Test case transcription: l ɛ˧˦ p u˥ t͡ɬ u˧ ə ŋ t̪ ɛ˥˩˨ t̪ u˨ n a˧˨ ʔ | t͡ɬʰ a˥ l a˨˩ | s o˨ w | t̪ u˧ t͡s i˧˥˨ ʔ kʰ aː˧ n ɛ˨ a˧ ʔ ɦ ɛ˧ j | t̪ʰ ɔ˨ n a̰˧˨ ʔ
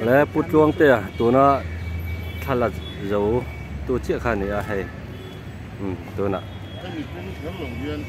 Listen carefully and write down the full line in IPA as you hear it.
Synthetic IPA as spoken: l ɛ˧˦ p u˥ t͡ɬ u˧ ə ŋ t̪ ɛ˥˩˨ t̪ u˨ n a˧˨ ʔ | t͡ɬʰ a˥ l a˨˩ | z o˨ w | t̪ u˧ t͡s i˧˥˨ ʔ kʰ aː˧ n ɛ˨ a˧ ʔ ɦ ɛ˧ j | t̪ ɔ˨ n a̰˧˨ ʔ